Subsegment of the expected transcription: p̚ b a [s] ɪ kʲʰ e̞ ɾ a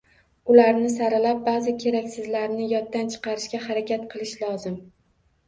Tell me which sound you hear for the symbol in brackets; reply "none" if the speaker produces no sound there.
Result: z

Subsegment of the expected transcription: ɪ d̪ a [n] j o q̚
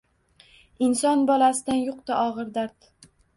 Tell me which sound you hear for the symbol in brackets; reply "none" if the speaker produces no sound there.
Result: n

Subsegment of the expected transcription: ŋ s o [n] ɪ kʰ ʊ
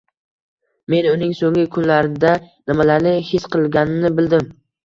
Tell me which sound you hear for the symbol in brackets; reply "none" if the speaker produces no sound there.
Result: ŋ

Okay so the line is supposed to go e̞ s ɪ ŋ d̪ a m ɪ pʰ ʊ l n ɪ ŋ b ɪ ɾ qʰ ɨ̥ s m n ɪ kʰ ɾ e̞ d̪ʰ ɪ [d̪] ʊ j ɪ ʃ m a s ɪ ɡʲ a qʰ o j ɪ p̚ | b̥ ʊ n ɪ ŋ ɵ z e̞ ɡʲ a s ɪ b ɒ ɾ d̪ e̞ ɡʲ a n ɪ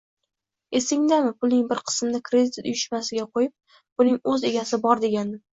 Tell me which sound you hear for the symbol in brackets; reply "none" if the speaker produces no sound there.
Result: t̪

